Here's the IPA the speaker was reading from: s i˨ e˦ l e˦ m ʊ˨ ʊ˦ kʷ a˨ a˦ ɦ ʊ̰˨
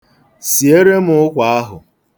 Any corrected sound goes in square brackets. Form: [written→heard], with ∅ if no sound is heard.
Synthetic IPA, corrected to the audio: s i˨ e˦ [l→ɾ] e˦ m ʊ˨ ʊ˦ kʷ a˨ a˦ ɦ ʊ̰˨